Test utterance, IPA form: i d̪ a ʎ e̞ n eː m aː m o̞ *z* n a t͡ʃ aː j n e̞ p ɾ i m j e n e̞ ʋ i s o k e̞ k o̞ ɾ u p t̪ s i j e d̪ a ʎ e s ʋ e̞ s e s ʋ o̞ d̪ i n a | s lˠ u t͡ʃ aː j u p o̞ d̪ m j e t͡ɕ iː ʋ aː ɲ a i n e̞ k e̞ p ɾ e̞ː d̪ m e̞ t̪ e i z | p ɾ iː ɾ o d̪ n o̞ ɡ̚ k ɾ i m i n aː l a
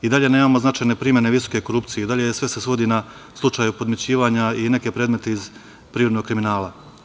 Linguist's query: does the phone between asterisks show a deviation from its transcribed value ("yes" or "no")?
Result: no